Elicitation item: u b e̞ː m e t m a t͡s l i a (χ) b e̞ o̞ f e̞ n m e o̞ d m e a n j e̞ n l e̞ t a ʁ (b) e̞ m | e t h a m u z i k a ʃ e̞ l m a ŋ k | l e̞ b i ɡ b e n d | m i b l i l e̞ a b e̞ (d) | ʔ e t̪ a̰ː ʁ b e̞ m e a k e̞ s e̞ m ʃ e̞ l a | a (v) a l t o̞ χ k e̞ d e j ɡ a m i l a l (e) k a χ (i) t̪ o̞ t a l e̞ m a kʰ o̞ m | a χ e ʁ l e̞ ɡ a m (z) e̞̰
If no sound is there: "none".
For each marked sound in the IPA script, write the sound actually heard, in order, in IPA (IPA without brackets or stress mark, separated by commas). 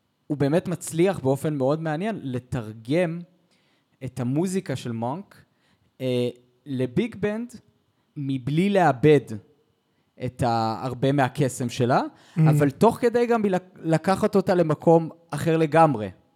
χ, ɡ, d, v, a, a, ʁ